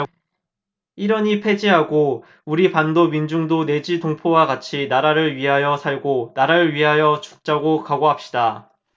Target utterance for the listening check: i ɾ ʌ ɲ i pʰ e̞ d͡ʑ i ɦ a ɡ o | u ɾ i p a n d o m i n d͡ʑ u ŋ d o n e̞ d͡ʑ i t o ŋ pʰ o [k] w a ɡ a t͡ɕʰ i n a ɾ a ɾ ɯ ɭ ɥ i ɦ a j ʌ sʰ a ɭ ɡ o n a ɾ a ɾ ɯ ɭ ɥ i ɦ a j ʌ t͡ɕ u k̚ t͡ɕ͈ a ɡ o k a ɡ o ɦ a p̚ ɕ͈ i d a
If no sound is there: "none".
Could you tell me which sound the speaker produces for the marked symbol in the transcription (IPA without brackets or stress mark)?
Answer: none